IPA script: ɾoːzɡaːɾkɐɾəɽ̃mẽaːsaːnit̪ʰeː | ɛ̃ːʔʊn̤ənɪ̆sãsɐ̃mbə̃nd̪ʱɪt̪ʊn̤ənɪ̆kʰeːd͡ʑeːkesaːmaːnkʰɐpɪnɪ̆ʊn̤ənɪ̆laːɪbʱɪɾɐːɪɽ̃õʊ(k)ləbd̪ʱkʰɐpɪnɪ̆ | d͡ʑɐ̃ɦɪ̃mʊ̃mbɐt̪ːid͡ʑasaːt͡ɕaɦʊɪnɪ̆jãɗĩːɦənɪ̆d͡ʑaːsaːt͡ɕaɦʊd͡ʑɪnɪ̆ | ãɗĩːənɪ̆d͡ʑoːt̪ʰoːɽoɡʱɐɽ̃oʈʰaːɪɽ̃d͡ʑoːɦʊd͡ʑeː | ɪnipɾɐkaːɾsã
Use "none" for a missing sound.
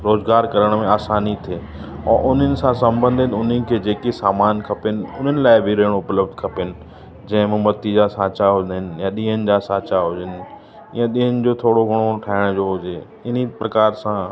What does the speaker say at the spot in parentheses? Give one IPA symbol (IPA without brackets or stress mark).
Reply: p